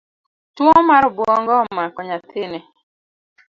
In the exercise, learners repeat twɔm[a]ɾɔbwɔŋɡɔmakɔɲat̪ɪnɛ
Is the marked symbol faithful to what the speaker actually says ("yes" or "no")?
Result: yes